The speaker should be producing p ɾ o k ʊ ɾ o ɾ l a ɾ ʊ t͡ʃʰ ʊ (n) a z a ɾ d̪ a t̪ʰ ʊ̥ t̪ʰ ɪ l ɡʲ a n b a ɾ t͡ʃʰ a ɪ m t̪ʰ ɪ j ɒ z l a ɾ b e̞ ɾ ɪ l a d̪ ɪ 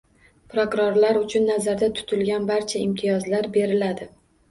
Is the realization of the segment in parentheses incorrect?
yes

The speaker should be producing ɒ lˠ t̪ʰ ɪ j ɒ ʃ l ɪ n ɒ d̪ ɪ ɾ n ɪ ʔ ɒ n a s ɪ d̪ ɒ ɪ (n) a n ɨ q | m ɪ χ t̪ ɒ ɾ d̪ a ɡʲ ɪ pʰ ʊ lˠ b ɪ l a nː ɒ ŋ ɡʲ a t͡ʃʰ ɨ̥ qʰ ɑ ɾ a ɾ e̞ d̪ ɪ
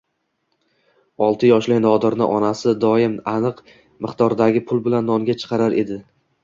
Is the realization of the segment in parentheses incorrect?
yes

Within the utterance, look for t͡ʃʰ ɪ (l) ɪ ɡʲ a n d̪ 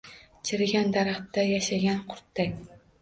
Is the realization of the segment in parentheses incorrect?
yes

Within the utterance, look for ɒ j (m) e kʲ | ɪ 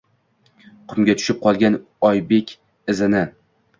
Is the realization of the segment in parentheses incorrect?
yes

